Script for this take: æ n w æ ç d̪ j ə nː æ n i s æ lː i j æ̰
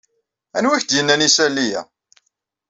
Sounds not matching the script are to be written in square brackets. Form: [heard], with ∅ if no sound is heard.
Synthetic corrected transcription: æ n w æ ç d̪ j ə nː æ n i s æ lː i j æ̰